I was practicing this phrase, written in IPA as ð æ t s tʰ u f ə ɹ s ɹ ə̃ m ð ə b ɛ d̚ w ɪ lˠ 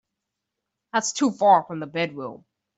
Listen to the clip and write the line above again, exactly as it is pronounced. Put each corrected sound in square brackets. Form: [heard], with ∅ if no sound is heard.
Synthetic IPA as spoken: ð æ t s tʰ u f [ɑ] ɹ [f] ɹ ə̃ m ð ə b ɛ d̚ w ɪ lˠ